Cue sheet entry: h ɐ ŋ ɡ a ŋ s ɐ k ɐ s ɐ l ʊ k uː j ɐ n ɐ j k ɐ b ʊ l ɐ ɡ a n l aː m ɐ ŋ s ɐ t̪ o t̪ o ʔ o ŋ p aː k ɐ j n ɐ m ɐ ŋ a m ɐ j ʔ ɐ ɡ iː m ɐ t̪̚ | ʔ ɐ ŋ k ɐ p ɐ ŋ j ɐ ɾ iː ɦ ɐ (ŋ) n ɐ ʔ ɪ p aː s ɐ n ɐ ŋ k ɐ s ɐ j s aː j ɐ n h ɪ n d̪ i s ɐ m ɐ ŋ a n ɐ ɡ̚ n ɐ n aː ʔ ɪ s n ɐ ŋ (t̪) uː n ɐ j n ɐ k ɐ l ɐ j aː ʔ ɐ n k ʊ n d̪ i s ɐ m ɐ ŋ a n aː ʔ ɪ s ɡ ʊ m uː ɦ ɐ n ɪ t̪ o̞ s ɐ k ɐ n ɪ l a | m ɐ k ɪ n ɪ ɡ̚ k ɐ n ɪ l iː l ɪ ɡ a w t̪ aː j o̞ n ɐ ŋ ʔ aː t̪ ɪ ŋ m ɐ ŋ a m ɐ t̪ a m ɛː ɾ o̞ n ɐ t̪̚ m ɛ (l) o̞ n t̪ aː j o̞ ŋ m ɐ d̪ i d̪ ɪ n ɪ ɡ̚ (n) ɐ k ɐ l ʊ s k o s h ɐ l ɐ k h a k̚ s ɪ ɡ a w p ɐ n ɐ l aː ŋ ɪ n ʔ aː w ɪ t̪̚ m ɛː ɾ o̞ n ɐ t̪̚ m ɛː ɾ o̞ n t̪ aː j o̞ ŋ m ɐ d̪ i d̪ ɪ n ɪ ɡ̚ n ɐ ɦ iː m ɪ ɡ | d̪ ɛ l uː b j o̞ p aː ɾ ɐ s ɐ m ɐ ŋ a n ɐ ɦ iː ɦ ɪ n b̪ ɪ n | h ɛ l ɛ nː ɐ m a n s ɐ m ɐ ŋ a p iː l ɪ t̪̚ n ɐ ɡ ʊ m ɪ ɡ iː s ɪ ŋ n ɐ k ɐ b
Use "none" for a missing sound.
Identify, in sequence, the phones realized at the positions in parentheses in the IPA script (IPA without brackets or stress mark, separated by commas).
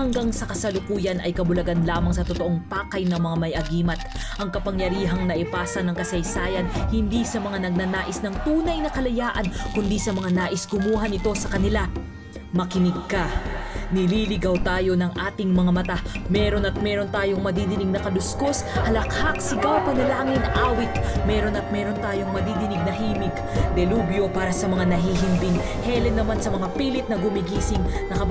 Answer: ŋ, t̪, ɾ, n